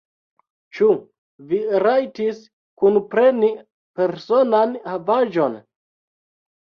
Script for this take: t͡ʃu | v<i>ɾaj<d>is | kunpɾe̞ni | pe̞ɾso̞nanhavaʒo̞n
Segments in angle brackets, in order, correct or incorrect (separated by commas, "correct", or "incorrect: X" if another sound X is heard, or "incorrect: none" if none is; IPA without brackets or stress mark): correct, incorrect: t